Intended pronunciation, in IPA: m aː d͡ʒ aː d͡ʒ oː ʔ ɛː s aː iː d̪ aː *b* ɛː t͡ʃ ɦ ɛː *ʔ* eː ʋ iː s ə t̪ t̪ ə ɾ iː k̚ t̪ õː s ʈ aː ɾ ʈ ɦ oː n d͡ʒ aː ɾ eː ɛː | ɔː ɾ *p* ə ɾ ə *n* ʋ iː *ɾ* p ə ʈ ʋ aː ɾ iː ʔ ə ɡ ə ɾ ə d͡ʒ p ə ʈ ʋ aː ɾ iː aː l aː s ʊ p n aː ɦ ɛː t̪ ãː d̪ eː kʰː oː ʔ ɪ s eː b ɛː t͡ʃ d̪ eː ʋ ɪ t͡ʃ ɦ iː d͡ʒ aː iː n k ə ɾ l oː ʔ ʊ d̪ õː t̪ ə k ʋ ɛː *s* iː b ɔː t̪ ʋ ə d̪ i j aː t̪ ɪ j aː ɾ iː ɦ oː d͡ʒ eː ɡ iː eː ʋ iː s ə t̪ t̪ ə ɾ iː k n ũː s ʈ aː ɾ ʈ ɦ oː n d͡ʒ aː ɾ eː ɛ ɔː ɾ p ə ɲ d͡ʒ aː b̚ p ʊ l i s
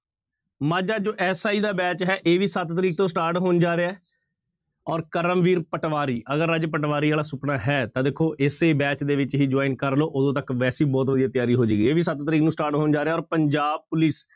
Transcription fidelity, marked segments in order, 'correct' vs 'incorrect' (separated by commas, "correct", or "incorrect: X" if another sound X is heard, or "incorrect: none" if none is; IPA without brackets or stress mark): correct, correct, incorrect: k, incorrect: m, correct, correct